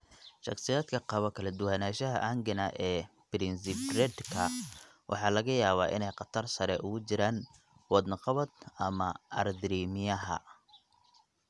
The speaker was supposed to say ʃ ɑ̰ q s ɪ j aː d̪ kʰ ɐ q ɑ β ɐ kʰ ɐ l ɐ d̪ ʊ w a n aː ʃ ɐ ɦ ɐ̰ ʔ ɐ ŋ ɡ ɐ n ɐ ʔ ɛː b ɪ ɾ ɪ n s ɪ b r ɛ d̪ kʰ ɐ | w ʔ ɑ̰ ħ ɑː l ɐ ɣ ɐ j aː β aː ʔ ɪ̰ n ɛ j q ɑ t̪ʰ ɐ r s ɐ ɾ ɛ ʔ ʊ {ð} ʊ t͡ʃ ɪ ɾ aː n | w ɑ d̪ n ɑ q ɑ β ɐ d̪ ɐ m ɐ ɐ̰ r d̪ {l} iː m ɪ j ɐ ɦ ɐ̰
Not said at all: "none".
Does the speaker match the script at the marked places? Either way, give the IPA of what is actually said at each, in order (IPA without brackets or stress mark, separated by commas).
ɣ, ɾ